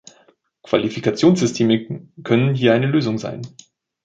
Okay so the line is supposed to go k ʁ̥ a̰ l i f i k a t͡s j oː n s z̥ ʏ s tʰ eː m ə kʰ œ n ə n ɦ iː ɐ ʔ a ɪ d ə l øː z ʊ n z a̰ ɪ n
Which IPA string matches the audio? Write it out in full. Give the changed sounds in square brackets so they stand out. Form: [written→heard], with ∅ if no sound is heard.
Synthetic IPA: k [ʁ̥→v̥] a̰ l i f i k a t͡s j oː n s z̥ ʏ s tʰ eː m ə kʰ œ n ə n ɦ iː ɐ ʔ a ɪ [d→n] ə l øː z ʊ [n→ŋ] z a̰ ɪ n